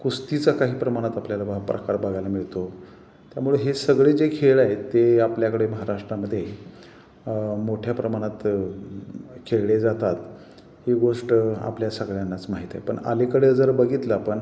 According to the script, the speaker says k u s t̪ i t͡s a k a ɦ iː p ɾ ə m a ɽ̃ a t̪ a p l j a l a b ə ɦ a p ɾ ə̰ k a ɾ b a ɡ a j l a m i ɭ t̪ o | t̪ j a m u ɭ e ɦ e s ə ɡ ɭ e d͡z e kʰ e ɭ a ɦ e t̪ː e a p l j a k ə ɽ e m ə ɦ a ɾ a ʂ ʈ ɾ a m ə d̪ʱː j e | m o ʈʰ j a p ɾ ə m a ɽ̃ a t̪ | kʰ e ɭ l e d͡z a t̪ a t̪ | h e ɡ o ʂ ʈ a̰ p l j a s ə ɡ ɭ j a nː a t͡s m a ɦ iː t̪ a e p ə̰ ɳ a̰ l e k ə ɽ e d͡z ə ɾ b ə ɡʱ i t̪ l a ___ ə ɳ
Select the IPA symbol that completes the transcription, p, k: p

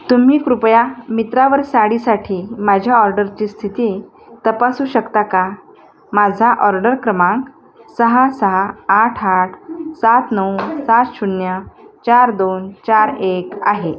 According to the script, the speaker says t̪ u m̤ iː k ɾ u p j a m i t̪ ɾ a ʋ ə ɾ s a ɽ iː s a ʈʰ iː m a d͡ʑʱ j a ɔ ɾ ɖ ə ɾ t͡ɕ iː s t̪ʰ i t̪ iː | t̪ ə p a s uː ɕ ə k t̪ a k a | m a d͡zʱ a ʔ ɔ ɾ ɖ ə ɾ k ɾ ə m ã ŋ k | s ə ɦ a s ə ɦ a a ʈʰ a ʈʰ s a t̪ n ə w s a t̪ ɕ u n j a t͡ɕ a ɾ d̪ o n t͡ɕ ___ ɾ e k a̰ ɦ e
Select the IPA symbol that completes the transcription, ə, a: a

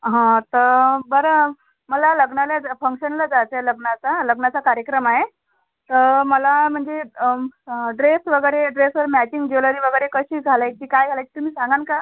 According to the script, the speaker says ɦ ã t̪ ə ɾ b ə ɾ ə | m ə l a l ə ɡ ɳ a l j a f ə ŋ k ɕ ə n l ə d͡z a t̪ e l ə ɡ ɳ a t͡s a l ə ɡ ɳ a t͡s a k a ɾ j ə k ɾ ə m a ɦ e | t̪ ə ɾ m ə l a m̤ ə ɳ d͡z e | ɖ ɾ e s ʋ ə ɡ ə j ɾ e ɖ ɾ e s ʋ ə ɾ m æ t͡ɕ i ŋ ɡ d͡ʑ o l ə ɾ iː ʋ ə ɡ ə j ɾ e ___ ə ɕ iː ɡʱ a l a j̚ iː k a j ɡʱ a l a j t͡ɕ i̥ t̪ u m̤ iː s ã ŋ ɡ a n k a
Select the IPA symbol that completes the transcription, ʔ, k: k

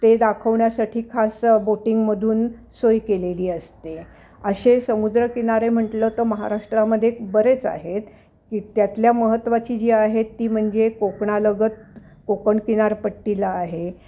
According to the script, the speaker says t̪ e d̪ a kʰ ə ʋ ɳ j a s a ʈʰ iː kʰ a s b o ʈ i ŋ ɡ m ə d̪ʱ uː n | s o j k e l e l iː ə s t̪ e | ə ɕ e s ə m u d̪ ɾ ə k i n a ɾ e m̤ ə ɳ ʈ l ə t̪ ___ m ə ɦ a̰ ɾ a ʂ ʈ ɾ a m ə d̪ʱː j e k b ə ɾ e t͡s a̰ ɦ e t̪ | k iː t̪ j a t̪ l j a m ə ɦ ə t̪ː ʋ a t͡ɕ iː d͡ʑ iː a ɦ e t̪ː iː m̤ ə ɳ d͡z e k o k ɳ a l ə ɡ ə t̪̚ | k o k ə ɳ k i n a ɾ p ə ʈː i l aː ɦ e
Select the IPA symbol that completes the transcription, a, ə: ə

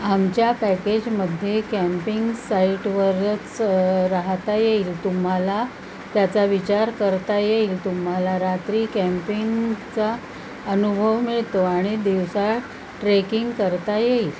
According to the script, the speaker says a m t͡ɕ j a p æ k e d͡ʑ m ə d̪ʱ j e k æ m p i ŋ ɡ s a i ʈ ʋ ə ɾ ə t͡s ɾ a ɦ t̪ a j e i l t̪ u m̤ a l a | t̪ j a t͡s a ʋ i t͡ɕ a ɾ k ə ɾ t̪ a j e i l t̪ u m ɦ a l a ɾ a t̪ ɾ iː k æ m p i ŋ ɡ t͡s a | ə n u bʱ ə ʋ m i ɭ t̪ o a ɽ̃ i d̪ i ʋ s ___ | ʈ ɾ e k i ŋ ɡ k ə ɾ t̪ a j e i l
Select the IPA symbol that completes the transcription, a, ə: a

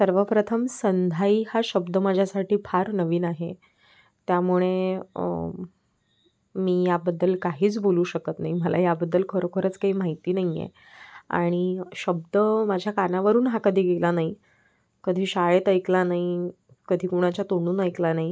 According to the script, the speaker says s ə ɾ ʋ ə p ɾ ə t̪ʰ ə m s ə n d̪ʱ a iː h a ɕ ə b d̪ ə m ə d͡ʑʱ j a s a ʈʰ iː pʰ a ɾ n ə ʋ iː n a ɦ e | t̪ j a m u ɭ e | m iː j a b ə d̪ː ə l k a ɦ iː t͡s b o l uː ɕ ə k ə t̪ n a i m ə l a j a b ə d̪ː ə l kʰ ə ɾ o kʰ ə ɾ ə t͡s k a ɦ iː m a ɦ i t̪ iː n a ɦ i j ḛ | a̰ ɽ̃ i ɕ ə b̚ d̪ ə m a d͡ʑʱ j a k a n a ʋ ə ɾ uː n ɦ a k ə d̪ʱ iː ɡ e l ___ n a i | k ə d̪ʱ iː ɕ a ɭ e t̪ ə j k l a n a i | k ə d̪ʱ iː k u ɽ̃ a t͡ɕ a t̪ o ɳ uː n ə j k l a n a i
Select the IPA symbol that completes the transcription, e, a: a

